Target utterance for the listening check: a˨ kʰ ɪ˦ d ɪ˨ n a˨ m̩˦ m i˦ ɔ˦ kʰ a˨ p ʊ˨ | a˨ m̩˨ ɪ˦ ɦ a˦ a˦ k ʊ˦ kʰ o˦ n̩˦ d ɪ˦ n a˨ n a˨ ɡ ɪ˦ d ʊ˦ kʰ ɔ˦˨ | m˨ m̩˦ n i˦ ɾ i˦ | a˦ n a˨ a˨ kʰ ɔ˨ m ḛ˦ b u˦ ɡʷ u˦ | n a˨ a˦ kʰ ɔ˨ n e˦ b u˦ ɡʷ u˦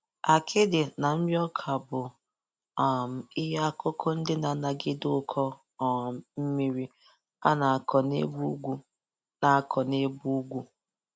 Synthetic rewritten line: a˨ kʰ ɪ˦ d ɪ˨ n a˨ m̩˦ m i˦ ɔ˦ kʰ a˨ b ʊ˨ | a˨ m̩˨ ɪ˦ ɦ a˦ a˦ k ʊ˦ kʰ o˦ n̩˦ d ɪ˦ n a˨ n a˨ ɡ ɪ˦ d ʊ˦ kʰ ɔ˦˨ | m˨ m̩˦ m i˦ ɾ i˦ | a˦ n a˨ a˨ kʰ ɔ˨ n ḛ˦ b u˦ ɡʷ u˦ | n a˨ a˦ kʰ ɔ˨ n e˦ b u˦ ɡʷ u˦